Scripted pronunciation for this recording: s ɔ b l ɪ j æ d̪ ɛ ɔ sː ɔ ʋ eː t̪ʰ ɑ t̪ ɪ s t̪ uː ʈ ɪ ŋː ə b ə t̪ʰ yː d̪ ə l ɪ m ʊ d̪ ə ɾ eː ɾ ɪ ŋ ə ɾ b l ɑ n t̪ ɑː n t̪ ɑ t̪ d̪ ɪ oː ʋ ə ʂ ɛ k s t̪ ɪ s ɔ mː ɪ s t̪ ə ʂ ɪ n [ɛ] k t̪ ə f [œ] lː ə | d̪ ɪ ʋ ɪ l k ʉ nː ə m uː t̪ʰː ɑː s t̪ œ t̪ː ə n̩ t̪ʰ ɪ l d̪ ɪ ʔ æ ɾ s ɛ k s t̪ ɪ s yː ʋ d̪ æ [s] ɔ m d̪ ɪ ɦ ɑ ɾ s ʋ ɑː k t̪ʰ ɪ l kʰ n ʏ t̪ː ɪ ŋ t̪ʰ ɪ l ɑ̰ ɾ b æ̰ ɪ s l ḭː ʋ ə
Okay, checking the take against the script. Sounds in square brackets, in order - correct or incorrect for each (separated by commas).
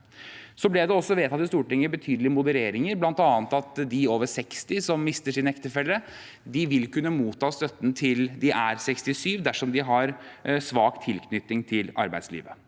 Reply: correct, incorrect, incorrect